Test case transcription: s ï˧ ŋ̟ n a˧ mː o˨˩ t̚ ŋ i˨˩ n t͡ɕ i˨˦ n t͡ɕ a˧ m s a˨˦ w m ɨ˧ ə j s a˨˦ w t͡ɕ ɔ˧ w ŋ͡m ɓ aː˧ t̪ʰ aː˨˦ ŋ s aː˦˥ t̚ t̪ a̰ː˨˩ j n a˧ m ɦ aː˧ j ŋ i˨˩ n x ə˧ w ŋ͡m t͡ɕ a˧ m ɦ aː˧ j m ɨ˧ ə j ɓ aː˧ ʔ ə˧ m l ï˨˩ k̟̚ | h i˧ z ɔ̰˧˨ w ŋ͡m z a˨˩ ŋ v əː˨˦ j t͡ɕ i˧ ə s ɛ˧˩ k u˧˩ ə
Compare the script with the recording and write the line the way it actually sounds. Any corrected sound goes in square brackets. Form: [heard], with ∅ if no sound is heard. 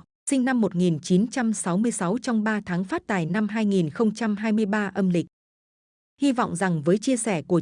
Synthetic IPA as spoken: s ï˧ ŋ̟ n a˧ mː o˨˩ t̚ ŋ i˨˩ n t͡ɕ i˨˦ n t͡ɕ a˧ m s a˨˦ w m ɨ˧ ə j s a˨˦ w t͡ɕ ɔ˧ w ŋ͡m ɓ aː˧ t̪ʰ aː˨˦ ŋ [f] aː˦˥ t̚ t̪ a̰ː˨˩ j n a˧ m ɦ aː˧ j ŋ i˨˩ n x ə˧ w ŋ͡m t͡ɕ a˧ m ɦ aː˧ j m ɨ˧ ə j ɓ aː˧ ʔ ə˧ m l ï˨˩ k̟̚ | h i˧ [v] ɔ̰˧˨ w ŋ͡m z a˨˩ ŋ v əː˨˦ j t͡ɕ i˧ ə s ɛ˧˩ k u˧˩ ə

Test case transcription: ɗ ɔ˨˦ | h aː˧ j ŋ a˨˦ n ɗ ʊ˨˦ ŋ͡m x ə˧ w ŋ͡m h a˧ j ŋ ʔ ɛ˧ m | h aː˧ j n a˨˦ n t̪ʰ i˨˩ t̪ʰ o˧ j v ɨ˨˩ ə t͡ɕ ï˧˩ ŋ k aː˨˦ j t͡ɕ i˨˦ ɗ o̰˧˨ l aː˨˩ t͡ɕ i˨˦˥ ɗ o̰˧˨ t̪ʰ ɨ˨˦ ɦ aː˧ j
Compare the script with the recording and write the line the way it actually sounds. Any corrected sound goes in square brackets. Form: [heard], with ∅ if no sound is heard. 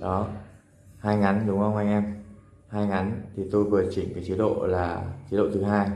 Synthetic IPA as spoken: ɗ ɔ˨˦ | h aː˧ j ŋ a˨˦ n ɗ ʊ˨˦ ŋ͡m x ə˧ w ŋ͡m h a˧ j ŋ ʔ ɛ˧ m | h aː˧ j [ŋ] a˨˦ n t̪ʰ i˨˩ [t̪] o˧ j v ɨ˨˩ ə t͡ɕ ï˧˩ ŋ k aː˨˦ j t͡ɕ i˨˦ ɗ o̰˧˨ l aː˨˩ t͡ɕ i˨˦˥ ɗ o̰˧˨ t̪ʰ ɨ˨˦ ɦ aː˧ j

